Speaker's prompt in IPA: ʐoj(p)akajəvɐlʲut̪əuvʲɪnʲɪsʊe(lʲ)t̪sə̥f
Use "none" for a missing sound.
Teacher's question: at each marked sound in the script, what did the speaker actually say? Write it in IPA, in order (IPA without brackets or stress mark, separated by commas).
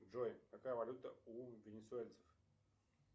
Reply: k, lʲ